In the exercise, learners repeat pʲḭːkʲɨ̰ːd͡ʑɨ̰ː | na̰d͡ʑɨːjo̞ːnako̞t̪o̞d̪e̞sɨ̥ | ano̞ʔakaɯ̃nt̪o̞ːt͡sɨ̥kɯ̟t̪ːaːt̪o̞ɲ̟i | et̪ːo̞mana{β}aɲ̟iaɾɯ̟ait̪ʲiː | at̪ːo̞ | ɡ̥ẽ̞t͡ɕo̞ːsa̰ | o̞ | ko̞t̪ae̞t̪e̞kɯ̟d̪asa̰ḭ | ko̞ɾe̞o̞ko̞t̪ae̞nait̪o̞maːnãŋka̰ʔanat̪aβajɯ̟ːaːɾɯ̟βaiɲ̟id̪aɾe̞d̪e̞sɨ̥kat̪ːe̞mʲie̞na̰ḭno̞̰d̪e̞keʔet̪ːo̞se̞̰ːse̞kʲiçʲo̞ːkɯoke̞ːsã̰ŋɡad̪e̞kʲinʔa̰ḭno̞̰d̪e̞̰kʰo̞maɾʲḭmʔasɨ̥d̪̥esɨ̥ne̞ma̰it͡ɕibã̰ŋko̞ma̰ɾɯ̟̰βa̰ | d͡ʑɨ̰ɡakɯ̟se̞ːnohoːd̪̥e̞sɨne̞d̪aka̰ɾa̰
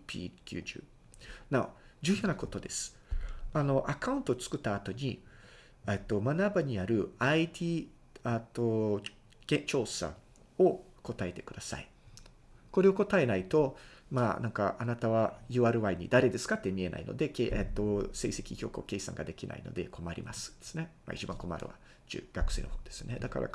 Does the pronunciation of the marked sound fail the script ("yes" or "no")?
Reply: yes